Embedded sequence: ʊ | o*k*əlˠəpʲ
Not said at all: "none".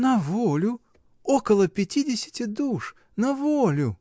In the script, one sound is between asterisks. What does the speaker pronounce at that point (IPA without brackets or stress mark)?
k